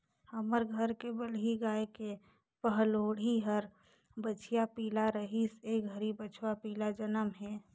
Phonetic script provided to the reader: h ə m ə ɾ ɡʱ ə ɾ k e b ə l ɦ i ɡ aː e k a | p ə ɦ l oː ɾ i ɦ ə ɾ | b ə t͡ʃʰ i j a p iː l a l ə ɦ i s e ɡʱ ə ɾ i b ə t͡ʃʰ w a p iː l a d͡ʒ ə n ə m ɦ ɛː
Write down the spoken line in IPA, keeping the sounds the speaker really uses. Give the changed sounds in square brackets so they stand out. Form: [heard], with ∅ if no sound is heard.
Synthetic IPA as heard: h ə m ə ɾ ɡʱ ə ɾ k e b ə l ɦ i ɡ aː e k [e] | p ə ɦ l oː [ɽ] i ɦ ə ɾ | b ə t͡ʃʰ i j a p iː l a [ɾ] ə ɦ i s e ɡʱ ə ɾ i b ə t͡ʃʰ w a p iː l a d͡ʒ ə n ə m ɦ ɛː